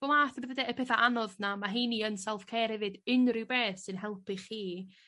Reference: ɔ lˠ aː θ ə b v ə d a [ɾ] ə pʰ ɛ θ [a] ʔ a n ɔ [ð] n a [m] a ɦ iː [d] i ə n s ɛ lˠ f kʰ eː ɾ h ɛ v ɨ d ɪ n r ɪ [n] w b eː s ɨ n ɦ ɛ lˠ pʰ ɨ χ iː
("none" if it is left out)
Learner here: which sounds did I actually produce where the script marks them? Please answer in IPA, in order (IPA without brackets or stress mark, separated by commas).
none, a, ð, m, n, none